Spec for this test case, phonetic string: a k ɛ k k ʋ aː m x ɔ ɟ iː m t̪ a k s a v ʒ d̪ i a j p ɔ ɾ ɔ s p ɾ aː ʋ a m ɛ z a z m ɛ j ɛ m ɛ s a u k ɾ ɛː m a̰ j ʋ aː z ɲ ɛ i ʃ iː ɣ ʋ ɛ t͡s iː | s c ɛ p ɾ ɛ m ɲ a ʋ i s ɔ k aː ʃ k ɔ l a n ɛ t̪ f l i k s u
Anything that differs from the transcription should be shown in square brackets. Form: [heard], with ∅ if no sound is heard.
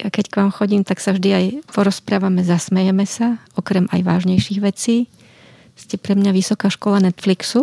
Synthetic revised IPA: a k ɛ [c] k ʋ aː m x ɔ ɟ iː m t̪ a k s a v ʒ d̪ i a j p ɔ ɾ ɔ s p ɾ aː ʋ a m ɛ z a [s] m ɛ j ɛ m ɛ s a [ɔ] k ɾ [ɛ] m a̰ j ʋ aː [ʒ] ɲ ɛ [j] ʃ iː ɣ ʋ ɛ t͡s iː | s c ɛ p ɾ ɛ m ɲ a ʋ i s ɔ k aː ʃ k ɔ l a n ɛ t̪ f l i k s u